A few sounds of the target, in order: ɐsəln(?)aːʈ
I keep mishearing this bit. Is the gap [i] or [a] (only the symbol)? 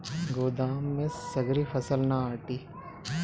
a